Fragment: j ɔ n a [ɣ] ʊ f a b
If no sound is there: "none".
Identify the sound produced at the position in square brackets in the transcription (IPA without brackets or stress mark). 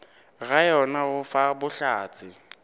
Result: ɣ